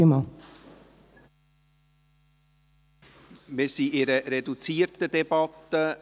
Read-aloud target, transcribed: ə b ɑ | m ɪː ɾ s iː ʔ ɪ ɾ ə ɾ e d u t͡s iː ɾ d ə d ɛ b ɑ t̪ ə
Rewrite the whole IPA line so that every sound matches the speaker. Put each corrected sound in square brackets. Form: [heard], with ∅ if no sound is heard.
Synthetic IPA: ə [m] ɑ | m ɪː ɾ s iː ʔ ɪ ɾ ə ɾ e d u t͡s iː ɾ [t] ə d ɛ b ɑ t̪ ə